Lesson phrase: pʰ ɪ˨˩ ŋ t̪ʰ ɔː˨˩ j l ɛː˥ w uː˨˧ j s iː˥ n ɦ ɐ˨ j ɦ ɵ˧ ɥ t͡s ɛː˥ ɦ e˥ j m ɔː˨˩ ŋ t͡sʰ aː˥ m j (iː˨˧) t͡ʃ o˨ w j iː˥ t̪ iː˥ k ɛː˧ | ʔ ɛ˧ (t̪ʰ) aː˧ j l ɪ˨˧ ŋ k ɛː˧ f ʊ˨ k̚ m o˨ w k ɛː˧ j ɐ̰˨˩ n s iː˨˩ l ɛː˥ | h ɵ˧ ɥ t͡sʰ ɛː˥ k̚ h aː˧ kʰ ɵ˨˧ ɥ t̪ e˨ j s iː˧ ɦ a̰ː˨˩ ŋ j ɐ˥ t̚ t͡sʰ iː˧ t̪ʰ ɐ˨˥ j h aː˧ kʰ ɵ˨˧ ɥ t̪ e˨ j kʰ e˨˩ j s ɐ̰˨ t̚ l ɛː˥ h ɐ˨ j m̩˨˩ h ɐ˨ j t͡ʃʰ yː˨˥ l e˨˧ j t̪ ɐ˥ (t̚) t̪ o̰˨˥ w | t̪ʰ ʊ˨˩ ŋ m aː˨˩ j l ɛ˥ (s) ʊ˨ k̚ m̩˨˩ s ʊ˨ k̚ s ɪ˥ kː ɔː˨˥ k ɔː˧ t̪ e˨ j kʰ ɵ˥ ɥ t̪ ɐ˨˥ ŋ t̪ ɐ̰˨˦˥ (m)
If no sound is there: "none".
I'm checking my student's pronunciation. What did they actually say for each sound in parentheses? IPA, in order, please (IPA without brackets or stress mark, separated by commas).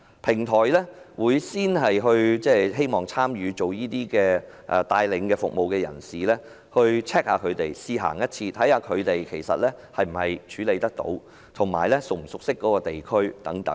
yː˨˧, t̪, k̚, s, ŋ